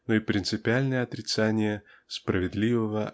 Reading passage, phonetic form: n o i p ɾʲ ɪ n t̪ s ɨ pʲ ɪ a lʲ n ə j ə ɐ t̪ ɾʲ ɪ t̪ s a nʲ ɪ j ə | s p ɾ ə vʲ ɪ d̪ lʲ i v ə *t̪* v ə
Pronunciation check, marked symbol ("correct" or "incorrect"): incorrect